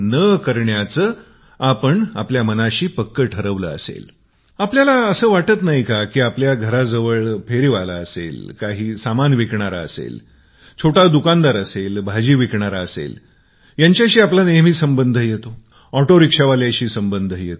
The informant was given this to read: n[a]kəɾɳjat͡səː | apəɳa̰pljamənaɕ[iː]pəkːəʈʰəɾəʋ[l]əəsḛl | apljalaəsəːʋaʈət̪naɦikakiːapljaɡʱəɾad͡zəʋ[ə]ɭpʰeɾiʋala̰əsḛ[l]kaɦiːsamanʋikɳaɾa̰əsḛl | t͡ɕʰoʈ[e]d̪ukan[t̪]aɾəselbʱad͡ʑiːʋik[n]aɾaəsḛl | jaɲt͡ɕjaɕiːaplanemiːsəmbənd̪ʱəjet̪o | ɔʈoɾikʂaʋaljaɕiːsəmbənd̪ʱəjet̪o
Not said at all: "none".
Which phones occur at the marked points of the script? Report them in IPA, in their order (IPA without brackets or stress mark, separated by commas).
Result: ə, iː, l, ə, l, a, d̪, ɳ